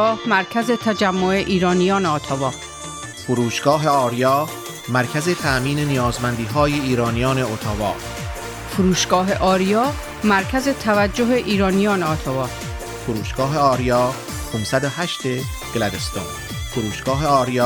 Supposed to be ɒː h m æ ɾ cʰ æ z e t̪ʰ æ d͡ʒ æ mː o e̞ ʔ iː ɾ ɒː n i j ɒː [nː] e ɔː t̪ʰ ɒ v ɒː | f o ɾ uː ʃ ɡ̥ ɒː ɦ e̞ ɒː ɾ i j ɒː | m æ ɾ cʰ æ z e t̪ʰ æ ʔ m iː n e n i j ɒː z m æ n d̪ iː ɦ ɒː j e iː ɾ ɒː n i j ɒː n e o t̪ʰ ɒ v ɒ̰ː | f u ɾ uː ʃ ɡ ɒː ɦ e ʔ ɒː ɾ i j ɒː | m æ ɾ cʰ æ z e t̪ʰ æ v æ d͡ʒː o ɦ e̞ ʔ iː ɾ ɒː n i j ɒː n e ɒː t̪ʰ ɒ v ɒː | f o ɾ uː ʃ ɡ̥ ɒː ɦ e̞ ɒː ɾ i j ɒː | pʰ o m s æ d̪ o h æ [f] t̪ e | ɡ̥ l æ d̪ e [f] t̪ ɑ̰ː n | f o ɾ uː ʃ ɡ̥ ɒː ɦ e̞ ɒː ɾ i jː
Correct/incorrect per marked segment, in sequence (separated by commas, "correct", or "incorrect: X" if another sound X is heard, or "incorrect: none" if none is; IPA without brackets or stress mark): incorrect: n, incorrect: ʃ, incorrect: s